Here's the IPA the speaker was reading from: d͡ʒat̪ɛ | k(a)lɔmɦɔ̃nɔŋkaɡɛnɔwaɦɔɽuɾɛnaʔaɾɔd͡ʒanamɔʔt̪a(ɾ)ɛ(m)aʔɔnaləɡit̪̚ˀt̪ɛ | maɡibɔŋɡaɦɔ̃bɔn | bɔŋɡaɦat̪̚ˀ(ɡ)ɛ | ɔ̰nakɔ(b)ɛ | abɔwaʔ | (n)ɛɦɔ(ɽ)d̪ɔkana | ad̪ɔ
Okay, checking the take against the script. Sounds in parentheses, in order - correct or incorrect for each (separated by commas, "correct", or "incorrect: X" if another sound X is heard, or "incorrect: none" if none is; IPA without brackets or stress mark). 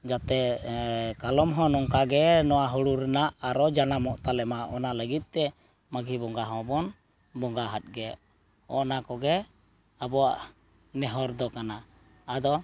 correct, incorrect: l, correct, correct, incorrect: ɡ, correct, incorrect: ɾ